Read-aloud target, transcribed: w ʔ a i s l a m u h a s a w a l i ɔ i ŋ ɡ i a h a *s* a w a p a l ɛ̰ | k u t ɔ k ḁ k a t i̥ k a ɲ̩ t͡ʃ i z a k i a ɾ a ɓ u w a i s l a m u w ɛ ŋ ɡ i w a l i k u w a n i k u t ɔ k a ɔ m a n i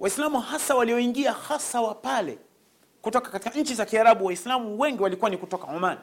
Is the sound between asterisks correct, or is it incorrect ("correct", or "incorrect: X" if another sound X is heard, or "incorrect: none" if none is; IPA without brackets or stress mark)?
correct